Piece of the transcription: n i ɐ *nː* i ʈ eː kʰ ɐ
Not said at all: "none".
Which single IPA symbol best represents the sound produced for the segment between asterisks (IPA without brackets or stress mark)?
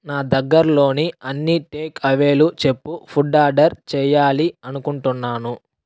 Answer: nː